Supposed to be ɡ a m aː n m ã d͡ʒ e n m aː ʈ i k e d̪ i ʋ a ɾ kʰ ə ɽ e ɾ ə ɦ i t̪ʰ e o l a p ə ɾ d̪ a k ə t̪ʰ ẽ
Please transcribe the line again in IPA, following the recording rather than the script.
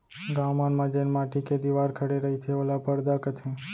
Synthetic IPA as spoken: ɡ a m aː n m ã d͡ʒ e n m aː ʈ i k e d̪ i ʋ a ɾ kʰ ə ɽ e ɾ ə ɦ i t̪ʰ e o l a p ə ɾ d̪ a k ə t̪ʰ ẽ